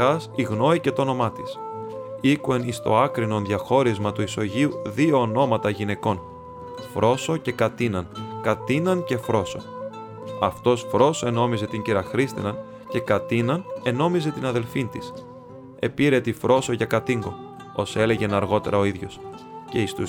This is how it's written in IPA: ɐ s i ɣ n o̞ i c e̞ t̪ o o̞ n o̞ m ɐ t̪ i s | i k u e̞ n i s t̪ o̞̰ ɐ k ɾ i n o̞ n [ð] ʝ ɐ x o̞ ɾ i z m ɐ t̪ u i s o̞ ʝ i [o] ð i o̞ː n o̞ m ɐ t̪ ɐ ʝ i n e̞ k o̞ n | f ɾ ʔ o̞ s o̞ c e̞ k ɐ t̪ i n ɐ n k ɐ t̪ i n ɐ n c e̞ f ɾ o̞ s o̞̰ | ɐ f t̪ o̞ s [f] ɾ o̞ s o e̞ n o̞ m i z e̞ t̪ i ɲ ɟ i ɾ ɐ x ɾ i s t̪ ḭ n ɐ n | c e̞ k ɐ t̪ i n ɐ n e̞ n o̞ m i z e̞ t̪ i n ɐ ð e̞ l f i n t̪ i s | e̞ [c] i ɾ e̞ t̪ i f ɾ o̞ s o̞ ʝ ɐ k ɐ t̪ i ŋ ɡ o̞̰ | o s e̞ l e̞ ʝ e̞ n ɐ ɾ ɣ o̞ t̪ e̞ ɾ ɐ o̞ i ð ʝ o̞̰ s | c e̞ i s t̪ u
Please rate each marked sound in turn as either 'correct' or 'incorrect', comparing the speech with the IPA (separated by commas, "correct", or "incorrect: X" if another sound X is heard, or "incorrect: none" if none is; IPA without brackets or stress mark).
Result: correct, incorrect: u, correct, incorrect: p